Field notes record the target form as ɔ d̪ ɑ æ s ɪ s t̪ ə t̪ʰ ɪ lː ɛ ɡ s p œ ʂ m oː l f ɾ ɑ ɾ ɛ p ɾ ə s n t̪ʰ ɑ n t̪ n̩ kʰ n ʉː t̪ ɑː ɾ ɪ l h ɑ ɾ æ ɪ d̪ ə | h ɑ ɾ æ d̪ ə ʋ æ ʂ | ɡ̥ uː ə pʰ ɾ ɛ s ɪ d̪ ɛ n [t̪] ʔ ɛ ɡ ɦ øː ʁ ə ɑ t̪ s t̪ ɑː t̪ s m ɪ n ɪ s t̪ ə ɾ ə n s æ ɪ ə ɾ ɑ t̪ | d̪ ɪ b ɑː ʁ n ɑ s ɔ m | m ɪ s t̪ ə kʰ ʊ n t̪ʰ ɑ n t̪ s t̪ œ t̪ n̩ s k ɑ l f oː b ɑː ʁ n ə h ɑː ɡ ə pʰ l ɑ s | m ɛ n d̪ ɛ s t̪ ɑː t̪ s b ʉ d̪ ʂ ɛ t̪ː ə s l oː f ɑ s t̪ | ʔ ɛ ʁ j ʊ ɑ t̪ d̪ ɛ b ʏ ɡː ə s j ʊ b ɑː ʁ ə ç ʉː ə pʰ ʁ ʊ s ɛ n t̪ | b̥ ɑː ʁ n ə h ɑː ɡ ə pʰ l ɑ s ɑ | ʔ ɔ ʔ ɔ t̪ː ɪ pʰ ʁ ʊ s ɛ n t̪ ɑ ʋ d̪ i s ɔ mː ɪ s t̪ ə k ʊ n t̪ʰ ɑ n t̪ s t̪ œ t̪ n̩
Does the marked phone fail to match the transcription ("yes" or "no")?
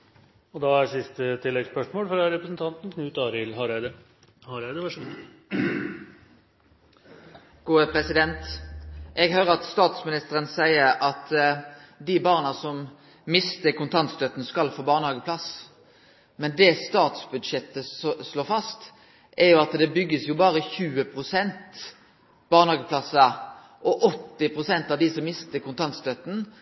no